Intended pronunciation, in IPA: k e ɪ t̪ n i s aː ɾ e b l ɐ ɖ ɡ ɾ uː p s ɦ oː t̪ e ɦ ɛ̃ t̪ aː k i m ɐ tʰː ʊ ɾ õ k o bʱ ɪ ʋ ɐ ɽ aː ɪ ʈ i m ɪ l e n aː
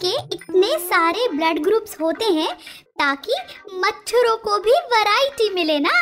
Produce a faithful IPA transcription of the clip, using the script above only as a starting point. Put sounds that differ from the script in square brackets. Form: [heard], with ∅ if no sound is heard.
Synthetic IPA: k e ɪ t̪ n [e] s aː ɾ e b l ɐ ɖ ɡ ɾ uː p s ɦ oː t̪ e ɦ ɛ̃ t̪ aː k i m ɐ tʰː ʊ ɾ õ k o bʱ [i] ʋ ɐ [ɾ] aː ɪ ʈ i m ɪ l e n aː